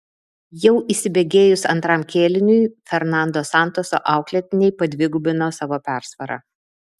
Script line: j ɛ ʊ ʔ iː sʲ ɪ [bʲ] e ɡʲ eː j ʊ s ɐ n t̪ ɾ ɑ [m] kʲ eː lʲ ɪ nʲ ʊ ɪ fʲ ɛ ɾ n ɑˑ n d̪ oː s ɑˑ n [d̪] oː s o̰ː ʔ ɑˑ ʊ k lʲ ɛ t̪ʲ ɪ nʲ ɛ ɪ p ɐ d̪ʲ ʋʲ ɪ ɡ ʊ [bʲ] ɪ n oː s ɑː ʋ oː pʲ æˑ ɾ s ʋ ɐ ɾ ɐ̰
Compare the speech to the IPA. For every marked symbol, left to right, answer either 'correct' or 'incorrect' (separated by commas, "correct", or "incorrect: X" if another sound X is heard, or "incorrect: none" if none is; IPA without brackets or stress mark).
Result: correct, correct, incorrect: t̪, correct